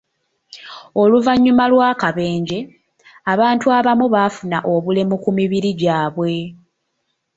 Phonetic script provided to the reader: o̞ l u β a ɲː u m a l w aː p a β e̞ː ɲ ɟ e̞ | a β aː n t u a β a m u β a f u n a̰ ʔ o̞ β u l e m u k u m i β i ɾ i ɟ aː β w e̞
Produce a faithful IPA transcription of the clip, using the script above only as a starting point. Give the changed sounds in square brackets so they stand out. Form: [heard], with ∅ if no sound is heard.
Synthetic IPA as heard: o̞ l u [v] a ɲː u m a l w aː [k] a β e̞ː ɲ ɟ e̞ | a β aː n t u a β a m u β a f u n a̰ ʔ o̞ β u l e m u k u m i β i ɾ i ɟ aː β w e̞